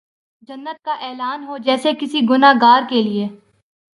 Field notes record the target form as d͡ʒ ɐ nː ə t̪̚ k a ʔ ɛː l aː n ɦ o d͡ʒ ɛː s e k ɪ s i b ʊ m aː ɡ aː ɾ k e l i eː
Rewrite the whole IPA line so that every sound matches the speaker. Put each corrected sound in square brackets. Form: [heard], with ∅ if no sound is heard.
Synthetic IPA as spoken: d͡ʒ ɐ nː ə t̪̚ k a ʔ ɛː l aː n ɦ o d͡ʒ ɛː s e k ɪ s i [ɡ] ʊ [n] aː ɡ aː ɾ k e l i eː